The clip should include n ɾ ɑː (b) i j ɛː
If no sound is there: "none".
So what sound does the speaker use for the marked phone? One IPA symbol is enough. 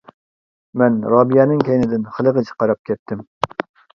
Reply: b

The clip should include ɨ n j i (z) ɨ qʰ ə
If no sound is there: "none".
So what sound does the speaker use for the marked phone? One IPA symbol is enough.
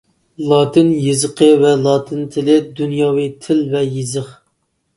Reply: z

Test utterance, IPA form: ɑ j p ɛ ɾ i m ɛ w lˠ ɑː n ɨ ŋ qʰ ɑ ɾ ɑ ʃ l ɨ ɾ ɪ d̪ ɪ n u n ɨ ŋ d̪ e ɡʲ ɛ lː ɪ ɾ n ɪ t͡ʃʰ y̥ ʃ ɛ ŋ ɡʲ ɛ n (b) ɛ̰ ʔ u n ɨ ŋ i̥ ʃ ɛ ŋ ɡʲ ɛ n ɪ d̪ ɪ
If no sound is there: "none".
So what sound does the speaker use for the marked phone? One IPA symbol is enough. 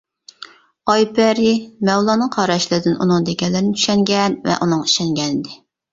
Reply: v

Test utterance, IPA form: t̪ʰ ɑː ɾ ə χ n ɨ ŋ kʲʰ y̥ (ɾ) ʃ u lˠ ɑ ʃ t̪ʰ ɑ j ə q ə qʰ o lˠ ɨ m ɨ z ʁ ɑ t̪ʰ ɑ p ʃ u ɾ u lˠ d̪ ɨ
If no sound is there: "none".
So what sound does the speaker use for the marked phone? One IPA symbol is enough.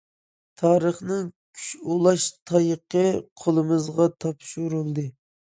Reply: none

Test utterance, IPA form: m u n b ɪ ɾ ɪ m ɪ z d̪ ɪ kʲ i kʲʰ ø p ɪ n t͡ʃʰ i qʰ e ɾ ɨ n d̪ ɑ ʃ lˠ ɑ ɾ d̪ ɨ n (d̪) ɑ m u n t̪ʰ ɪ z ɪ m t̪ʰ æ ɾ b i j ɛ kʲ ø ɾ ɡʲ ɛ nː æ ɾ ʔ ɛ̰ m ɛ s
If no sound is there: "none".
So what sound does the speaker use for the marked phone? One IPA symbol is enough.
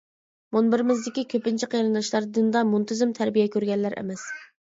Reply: d̪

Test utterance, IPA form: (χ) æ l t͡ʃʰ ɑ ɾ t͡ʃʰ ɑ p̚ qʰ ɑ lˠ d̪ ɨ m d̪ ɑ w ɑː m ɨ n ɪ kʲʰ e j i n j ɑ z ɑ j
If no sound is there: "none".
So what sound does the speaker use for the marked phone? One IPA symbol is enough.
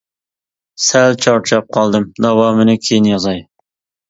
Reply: s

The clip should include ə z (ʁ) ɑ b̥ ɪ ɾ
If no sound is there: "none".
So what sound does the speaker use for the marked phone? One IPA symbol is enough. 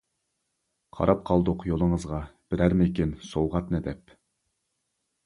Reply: ʁ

